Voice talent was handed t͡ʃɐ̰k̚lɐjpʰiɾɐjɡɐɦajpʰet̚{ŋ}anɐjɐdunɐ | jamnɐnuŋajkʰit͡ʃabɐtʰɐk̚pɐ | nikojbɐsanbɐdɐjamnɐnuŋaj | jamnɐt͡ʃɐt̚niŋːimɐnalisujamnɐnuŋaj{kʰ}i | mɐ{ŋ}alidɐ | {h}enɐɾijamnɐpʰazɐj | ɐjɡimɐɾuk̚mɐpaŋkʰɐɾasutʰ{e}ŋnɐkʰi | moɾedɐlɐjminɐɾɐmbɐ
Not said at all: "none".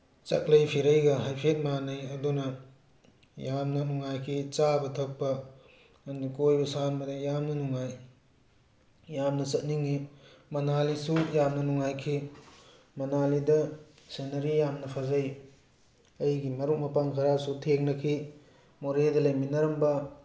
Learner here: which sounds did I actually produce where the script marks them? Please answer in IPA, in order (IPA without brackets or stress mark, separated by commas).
m, kʰ, n, s, e